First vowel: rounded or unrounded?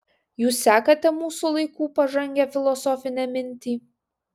rounded